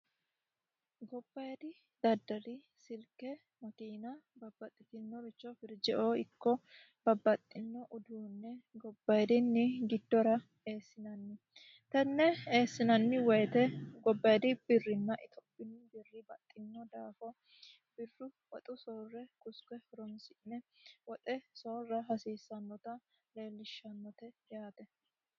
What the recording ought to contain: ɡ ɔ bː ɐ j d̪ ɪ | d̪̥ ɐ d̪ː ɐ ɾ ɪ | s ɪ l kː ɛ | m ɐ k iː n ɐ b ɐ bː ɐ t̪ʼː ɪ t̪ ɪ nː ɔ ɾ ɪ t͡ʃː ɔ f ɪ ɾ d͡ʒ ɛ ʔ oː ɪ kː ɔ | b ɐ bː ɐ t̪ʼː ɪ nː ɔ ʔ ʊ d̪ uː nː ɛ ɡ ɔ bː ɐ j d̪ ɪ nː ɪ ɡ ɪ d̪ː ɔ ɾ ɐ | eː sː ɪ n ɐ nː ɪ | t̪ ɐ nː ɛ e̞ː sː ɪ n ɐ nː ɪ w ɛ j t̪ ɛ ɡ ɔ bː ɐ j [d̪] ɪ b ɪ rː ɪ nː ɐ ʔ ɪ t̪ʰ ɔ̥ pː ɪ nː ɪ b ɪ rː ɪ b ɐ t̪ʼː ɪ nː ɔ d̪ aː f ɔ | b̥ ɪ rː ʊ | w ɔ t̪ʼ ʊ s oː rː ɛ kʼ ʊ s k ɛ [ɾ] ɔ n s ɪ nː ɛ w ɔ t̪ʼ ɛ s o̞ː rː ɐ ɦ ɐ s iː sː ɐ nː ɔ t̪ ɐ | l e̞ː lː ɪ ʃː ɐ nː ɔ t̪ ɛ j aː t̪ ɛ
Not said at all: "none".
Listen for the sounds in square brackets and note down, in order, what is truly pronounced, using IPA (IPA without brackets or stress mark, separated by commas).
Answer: d̪, ɾ